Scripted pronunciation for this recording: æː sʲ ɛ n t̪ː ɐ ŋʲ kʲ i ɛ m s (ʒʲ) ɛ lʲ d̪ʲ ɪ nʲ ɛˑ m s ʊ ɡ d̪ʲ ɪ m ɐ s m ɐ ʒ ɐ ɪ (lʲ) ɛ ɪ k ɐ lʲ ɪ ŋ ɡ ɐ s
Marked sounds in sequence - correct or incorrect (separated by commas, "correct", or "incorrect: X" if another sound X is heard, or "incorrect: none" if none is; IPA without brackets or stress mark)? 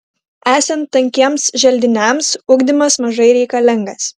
correct, incorrect: ɾʲ